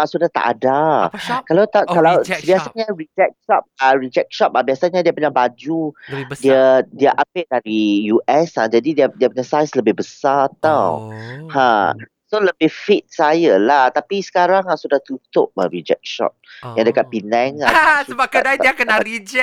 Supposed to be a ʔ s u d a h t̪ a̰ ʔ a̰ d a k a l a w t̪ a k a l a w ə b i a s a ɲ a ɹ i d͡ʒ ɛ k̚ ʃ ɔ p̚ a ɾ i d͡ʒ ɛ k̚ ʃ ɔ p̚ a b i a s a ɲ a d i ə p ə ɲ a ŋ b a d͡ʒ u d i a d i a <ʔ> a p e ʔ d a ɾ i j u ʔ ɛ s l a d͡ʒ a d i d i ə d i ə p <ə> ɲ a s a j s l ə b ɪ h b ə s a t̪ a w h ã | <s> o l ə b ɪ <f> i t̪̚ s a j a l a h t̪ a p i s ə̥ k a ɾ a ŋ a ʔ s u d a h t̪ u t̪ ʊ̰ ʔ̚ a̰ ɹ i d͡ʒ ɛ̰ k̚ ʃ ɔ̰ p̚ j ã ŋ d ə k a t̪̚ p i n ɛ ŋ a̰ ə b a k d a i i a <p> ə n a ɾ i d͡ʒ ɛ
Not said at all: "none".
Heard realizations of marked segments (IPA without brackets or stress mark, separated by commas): ʔ, ə, s, f, k